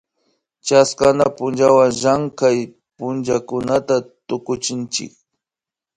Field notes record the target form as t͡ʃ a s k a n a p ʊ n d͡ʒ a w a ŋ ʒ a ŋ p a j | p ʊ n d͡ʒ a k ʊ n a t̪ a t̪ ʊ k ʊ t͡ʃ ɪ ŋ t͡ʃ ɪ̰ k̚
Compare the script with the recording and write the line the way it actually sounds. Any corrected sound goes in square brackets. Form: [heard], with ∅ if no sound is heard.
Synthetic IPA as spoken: t͡ʃ a s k a n a p ʊ n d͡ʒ a w a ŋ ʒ a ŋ [k] a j | p ʊ n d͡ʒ a k ʊ n a t̪ a t̪ ʊ k ʊ t͡ʃ ɪ [n] t͡ʃ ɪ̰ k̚